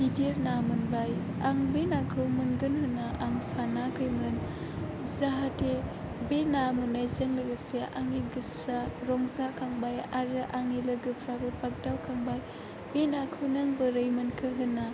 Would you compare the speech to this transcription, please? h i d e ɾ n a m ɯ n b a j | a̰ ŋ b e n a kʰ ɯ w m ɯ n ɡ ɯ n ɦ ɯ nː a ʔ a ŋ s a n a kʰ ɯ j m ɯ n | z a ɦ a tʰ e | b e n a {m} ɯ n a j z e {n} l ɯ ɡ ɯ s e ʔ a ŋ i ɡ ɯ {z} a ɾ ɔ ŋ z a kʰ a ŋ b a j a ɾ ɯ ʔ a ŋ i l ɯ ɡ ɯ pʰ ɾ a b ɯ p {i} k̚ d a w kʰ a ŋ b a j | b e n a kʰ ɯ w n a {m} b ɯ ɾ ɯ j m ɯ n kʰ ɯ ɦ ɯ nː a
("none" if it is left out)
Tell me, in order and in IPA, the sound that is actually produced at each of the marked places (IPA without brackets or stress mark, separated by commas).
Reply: m, ŋ, s, a, ŋ